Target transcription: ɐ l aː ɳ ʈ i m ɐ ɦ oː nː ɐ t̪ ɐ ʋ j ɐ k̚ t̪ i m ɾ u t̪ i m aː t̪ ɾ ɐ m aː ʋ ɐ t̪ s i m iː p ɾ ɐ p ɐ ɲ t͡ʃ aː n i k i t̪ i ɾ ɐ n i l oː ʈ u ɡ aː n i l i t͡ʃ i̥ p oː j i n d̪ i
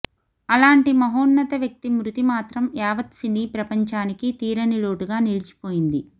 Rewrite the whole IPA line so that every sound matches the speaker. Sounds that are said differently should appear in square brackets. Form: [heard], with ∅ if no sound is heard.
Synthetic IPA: ɐ l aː ɳ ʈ i m ɐ ɦ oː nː ɐ t̪ ɐ ʋ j ɐ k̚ t̪ i m ɾ u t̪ i m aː t̪ ɾ ɐ m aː ʋ ɐ t̪ s i [n] iː p ɾ ɐ p ɐ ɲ t͡ʃ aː n i k i t̪ [iː] ɾ ɐ n i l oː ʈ u ɡ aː n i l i t͡ʃ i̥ p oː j i n d̪ i